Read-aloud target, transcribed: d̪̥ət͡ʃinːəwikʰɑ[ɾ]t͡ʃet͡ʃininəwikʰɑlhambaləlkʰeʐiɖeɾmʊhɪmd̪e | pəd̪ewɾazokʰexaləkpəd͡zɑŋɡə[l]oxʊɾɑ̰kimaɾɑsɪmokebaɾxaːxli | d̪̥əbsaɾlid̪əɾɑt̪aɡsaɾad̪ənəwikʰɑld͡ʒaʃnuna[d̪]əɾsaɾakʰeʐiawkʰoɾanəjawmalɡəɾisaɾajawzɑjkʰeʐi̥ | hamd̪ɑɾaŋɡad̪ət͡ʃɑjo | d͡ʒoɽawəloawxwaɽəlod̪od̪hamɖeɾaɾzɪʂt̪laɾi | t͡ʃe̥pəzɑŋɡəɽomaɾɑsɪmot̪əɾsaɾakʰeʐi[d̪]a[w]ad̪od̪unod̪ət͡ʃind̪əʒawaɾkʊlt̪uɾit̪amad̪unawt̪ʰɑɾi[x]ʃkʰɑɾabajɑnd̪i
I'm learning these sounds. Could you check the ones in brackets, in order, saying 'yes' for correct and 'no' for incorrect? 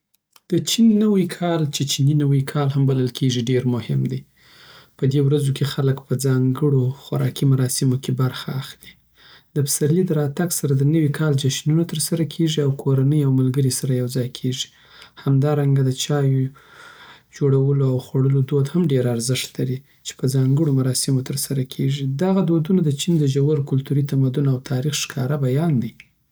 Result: no, no, no, yes, no, yes

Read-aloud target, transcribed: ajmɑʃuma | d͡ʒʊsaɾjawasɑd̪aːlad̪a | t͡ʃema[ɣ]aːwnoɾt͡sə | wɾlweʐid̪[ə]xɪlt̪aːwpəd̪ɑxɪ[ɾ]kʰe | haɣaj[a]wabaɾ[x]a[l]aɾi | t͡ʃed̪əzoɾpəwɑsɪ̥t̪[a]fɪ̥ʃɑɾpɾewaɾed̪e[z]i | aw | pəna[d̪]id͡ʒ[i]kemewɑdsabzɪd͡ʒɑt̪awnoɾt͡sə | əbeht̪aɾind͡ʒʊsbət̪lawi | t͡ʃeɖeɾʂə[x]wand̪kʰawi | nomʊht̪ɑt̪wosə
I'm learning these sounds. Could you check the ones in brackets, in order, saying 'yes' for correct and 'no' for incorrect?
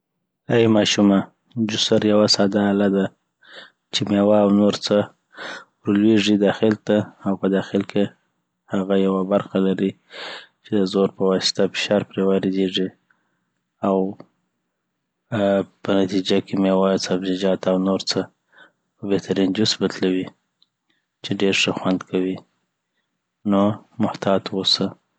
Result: no, no, no, yes, yes, yes, yes, no, no, no, yes

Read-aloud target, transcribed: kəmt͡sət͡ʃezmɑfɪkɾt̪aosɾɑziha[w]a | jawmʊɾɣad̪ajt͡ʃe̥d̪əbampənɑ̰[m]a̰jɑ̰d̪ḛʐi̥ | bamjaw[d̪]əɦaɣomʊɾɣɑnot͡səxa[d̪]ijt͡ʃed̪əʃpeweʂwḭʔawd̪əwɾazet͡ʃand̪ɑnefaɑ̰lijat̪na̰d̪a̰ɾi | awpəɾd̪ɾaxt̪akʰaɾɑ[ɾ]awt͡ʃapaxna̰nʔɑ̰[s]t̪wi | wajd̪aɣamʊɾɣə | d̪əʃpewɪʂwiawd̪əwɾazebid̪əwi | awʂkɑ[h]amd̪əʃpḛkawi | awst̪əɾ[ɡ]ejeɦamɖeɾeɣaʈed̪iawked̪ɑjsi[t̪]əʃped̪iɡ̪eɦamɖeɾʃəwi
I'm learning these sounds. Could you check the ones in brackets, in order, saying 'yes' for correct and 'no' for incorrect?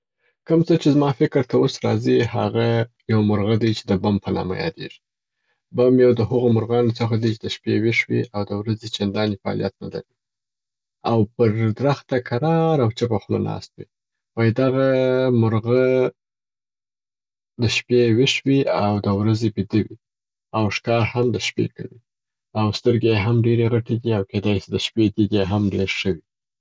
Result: no, yes, yes, yes, yes, yes, yes, yes, no

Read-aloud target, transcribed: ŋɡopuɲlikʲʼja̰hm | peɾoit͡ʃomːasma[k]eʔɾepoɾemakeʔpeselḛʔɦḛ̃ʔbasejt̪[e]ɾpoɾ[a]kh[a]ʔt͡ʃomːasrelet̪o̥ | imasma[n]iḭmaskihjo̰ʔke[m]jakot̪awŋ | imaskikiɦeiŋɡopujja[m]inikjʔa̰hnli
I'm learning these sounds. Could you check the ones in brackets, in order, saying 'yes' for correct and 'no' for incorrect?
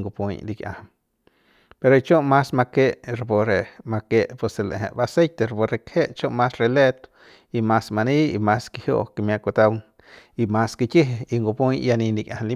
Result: yes, yes, no, no, yes, yes, no

